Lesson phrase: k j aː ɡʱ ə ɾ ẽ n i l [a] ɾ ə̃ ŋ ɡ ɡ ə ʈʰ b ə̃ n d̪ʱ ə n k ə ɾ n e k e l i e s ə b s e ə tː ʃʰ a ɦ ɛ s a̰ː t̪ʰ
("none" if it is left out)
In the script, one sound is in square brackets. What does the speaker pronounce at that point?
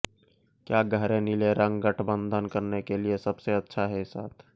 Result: e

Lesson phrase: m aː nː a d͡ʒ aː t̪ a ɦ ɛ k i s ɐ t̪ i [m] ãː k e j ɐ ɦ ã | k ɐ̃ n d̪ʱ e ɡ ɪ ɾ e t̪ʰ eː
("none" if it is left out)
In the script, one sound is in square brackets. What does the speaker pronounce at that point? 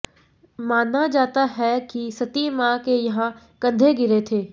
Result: m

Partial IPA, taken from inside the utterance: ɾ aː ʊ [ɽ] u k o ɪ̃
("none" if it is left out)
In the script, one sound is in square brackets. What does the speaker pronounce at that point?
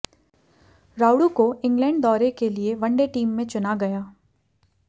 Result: ɽ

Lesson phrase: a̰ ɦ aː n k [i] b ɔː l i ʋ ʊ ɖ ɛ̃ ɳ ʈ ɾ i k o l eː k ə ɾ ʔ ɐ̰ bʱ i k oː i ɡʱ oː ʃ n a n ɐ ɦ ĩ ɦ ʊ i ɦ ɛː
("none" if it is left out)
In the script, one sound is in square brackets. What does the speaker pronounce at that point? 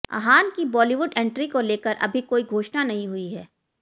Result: i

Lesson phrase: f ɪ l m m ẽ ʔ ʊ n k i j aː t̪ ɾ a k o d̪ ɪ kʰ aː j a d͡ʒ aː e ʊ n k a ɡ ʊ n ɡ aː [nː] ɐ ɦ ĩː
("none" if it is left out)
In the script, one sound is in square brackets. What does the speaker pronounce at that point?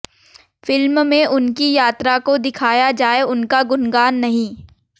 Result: nː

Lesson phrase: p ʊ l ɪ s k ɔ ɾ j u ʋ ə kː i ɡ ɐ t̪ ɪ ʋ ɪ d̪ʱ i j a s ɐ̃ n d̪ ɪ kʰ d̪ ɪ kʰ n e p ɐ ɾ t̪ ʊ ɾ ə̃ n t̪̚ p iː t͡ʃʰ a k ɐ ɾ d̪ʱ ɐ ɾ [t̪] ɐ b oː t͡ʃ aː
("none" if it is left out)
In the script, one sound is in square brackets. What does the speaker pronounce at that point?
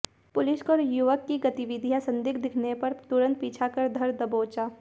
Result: d̪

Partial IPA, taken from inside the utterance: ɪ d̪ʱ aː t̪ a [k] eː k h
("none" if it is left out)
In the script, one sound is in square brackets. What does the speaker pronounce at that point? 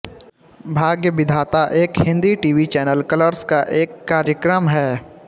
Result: ʔ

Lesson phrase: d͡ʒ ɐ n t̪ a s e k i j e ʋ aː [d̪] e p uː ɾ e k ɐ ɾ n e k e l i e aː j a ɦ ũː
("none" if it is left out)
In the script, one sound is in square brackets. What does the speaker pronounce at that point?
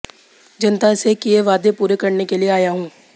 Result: d̪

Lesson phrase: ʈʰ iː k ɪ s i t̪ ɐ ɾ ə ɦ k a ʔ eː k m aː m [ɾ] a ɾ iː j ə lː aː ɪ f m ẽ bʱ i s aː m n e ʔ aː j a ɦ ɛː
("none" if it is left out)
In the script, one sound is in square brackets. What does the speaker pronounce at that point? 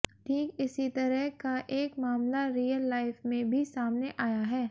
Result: l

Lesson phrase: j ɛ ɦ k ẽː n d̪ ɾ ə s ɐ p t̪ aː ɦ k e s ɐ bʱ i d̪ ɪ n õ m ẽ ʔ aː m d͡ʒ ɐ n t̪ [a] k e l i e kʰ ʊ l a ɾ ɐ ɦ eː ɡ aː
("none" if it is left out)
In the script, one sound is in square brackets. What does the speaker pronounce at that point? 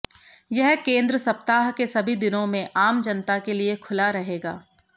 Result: a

